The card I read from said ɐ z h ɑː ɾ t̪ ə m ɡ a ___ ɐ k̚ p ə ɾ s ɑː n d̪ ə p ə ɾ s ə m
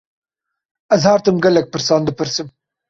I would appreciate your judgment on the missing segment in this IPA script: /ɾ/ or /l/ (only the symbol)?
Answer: l